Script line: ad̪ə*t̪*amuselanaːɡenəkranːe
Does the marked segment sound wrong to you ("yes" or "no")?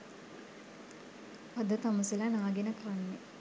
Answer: no